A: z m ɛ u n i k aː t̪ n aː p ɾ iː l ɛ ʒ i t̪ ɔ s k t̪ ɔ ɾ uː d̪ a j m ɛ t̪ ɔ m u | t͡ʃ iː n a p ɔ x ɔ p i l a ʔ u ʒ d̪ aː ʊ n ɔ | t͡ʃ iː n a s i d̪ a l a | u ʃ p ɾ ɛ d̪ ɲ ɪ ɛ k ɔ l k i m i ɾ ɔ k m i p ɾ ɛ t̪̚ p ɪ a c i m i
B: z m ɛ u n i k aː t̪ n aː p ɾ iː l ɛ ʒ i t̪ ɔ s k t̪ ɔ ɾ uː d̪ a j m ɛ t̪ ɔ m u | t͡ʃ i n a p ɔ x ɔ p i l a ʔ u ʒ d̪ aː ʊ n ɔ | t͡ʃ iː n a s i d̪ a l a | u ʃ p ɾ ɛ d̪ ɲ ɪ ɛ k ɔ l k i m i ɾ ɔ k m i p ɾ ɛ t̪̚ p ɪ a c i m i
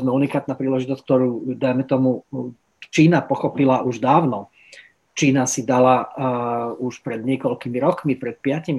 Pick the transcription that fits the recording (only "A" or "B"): A